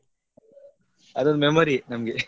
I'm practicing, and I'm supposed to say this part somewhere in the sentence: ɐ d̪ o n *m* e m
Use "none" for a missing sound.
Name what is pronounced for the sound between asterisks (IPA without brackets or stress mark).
m